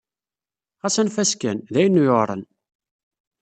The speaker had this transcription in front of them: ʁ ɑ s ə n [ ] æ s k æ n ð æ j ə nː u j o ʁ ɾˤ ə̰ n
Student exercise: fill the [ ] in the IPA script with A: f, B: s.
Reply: A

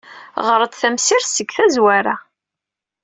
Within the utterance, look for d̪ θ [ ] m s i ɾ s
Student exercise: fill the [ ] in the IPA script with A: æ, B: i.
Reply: A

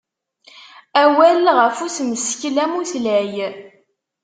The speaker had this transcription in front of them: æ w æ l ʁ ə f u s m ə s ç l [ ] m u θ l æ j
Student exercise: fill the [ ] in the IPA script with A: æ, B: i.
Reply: A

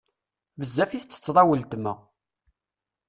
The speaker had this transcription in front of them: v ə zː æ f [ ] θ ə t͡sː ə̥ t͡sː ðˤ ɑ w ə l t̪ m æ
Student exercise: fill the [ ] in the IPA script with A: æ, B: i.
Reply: B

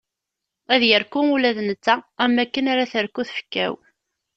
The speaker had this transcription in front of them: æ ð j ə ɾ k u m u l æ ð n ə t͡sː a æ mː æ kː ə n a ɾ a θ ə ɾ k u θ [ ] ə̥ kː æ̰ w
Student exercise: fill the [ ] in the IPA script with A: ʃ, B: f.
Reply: B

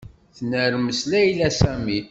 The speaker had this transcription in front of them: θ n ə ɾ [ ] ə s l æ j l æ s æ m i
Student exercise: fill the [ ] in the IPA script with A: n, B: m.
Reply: B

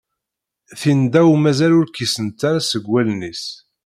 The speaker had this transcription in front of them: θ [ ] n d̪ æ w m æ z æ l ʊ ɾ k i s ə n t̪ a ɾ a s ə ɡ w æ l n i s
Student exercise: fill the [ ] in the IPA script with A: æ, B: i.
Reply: B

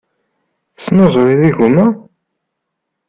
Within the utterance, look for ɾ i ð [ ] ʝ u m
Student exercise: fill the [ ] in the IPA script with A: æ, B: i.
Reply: B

